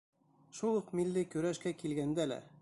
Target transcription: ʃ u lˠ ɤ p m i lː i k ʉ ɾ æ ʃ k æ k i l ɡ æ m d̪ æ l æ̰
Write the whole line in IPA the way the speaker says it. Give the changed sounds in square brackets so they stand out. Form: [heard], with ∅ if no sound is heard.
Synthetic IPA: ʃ u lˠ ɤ [q] m i lː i k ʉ ɾ æ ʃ k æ k i l ɡ æ [n] d̪ æ l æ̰